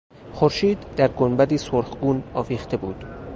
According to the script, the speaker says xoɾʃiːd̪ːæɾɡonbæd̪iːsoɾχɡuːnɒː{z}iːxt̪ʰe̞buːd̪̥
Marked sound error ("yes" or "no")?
yes